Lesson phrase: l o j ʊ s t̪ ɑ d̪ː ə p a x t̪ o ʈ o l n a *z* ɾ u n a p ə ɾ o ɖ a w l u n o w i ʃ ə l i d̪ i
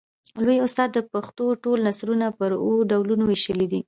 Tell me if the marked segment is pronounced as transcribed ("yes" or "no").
no